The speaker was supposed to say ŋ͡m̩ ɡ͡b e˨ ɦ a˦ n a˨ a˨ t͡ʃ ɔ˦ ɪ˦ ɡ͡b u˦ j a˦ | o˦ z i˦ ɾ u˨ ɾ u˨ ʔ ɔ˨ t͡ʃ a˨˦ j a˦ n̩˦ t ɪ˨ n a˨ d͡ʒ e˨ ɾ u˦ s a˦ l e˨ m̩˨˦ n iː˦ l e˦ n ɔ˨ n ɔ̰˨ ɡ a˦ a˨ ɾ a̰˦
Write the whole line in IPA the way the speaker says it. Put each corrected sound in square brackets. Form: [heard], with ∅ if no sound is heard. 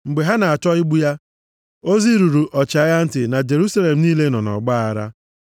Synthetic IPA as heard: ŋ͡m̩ ɡ͡b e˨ ɦ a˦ n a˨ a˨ t͡ʃ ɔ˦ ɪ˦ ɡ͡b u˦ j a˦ | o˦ z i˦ ɾ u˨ ɾ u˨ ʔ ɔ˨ t͡ʃ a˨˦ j a˦ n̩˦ t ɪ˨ n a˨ d͡ʒ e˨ ɾ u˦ s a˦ l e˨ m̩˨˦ n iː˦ l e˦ n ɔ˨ n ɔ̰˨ [ɡ͡b] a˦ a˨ ɾ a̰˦